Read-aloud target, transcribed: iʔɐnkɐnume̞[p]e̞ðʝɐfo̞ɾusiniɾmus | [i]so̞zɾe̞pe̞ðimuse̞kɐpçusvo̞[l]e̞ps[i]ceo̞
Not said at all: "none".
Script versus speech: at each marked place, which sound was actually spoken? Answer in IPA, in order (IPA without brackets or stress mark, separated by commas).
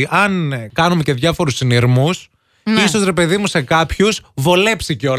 c, i, l, i